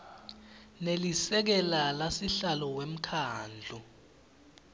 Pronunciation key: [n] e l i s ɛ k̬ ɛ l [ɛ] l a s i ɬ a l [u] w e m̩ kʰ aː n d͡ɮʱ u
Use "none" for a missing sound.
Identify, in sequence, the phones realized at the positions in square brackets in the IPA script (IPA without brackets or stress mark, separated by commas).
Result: n, a, ɔ